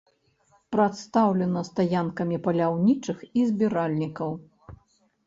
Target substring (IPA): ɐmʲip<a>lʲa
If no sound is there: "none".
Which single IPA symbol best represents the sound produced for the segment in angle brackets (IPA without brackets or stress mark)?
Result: ɐ